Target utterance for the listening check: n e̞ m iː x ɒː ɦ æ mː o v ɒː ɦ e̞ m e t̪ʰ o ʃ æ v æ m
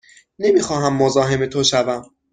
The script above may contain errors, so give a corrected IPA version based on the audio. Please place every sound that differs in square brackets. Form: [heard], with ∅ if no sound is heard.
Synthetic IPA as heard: n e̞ m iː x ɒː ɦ æ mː o [z] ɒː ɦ e̞ m e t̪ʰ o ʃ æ v æ m